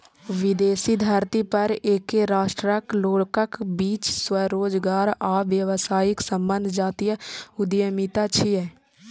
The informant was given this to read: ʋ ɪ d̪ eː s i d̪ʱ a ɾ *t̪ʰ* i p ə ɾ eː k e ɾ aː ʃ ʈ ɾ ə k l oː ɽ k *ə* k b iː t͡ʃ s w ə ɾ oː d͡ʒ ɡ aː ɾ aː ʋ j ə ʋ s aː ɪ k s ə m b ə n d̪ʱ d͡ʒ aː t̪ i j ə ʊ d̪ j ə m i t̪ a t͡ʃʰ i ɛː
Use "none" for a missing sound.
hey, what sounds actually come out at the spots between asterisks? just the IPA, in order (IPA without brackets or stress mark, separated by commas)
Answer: t̪, ə